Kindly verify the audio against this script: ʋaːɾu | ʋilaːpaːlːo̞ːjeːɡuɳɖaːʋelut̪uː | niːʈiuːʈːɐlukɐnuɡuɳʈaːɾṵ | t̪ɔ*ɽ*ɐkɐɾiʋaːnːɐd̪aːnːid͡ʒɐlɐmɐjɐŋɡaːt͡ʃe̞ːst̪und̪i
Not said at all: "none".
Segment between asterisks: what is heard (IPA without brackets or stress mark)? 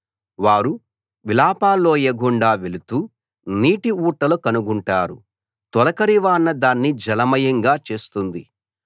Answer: l